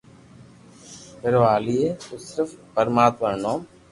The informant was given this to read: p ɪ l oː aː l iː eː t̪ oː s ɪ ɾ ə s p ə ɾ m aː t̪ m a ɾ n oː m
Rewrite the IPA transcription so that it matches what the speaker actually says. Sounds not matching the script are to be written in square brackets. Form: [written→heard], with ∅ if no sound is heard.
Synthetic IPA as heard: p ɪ [l→ɾ] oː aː l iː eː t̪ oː s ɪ ɾ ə [s→f] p ə ɾ m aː t̪ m [a→ə] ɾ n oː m